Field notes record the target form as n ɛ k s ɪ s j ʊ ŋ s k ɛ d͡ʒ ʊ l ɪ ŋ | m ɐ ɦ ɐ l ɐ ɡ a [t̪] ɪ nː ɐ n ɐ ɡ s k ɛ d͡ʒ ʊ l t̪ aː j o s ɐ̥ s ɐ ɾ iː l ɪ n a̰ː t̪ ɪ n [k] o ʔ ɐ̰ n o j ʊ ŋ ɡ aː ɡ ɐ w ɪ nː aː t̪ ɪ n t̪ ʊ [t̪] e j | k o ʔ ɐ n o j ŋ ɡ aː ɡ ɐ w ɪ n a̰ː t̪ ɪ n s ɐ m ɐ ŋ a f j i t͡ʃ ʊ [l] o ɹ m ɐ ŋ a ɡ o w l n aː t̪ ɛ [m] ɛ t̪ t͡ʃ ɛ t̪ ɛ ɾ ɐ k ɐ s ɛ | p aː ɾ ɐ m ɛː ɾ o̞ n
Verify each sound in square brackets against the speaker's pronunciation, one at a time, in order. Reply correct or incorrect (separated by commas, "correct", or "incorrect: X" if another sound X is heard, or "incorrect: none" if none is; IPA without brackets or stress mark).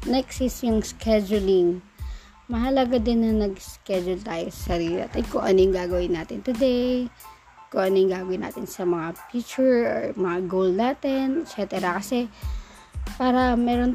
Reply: incorrect: d̪, correct, incorrect: d̪, incorrect: ɹ, incorrect: n